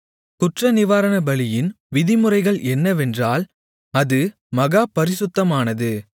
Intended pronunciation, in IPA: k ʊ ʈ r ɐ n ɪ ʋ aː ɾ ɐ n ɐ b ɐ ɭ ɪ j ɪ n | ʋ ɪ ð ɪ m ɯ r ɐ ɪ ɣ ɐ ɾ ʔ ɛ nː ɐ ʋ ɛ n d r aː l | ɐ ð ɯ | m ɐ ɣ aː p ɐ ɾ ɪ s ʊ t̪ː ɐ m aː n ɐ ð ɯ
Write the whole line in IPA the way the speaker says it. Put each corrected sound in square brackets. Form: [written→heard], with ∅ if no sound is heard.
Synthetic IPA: k ʊ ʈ r ɐ n ɪ ʋ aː ɾ ɐ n ɐ b ɐ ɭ ɪ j ɪ n | ʋ ɪ ð ɪ m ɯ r ɐ ɪ ɣ ɐ [ɾ→ɭ] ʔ ɛ nː ɐ ʋ ɛ n d r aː l | ɐ ð ɯ | m ɐ ɣ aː p ɐ ɾ ɪ s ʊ t̪ː ɐ m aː n ɐ ð ɯ